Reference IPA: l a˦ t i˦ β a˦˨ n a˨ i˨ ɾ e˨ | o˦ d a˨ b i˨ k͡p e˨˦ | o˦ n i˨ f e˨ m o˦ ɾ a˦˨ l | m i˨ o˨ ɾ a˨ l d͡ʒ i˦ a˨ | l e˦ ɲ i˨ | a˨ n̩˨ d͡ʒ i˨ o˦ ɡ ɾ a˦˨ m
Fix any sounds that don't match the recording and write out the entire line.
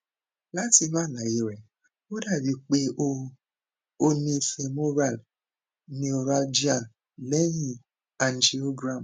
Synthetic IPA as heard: l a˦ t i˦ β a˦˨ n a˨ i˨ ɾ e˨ | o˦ d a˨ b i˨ k͡p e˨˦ | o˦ n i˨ f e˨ m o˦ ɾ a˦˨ l | n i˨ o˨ ɾ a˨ l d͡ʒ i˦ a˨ | l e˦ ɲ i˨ | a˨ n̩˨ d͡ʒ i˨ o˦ ɡ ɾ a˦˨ m